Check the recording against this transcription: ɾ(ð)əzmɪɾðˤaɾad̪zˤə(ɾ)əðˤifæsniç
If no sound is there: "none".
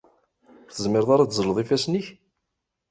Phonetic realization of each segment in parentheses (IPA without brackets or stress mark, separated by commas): θ, l